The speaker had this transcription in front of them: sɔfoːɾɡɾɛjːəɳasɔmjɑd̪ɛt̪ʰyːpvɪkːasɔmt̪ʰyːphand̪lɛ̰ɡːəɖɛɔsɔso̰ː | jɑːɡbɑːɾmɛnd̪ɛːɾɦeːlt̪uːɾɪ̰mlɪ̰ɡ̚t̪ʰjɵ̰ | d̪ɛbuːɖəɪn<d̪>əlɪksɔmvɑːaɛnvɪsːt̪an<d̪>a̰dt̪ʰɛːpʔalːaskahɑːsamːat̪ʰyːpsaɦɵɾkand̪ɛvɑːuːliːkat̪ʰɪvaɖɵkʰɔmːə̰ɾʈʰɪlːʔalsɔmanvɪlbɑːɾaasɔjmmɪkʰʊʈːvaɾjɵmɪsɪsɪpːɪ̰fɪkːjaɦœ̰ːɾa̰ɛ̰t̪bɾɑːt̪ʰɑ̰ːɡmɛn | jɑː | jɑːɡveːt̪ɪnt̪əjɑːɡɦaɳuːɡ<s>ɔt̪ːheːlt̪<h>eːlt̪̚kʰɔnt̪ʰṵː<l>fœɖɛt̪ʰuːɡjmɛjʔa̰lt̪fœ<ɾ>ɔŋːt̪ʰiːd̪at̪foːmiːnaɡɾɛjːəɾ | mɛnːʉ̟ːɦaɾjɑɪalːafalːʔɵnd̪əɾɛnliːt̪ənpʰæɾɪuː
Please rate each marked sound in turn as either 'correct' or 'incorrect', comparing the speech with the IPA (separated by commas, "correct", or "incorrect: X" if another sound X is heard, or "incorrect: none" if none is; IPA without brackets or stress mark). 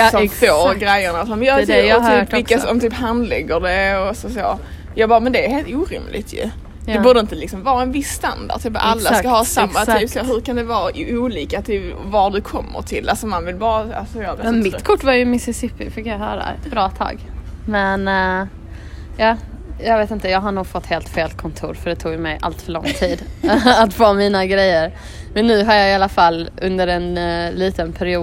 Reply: incorrect: t̪, correct, incorrect: f, incorrect: f, incorrect: ɾ, incorrect: ɭ